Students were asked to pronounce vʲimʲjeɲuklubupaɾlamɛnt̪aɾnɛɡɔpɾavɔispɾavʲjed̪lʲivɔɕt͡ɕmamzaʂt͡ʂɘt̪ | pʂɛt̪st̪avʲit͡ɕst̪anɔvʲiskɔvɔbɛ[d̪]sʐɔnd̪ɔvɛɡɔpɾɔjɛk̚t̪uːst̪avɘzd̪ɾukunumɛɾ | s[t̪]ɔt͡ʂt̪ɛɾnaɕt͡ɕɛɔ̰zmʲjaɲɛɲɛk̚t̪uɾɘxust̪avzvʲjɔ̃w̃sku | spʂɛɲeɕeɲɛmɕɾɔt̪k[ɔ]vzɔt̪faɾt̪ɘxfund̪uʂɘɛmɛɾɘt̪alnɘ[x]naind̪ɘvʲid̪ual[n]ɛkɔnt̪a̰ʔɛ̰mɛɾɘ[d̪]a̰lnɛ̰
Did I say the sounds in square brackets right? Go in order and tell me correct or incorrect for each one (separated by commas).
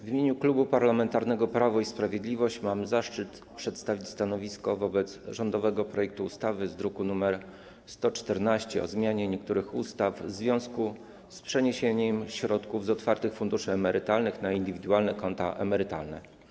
incorrect, correct, incorrect, correct, correct, incorrect